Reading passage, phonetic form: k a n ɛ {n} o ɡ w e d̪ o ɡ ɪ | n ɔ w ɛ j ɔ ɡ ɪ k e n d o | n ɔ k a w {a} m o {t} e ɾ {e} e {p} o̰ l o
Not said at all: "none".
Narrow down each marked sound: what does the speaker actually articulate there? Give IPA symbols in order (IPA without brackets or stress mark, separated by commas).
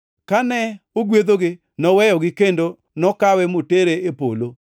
none, ɛ, t, e, p